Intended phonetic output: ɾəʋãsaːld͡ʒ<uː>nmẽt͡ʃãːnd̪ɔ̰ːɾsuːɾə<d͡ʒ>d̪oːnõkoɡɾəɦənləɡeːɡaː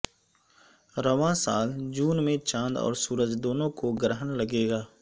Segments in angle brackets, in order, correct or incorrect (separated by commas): correct, correct